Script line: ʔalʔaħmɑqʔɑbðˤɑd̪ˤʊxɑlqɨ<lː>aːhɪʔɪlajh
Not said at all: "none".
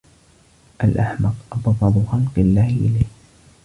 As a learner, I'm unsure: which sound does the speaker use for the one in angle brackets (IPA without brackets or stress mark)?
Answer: lː